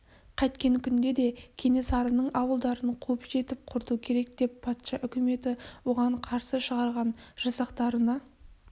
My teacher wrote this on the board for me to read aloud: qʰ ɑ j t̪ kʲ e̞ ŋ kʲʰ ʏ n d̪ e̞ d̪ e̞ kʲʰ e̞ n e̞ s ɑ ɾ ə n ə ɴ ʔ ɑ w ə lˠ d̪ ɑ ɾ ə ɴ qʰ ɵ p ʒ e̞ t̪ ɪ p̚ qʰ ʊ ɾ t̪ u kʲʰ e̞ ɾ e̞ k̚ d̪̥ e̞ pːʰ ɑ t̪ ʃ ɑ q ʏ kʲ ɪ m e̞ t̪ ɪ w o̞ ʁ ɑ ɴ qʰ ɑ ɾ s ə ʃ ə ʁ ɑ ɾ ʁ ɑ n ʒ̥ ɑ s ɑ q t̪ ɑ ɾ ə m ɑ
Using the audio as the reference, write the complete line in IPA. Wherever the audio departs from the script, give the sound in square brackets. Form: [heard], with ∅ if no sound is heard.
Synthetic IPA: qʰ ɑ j t̪ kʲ e̞ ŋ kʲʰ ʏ n d̪ e̞ d̪ e̞ kʲʰ e̞ n e̞ s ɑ ɾ ə n ə ɴ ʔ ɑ w ə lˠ d̪ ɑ ɾ ə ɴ qʰ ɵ p ʒ e̞ t̪ ɪ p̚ qʰ ʊ ɾ t̪ u kʲʰ e̞ ɾ e̞ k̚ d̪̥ e̞ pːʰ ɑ t̪ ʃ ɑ [ʔ] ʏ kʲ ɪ m e̞ t̪ ɪ w o̞ ʁ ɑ ɴ qʰ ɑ ɾ s ə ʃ ə ʁ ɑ ɾ ʁ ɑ n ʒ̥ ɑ s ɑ q t̪ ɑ ɾ ə [n] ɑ